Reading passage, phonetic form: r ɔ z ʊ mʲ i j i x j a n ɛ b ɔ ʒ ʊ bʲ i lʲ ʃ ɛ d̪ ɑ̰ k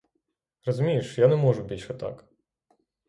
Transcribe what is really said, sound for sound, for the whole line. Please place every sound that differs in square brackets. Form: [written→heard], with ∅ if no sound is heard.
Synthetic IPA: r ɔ z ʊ mʲ i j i [x→ʃ] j a n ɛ [b→m] ɔ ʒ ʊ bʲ i lʲ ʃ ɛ [d̪→t̪] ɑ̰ k